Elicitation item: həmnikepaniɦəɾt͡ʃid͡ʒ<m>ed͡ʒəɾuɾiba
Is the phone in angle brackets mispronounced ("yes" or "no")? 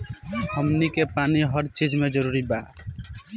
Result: no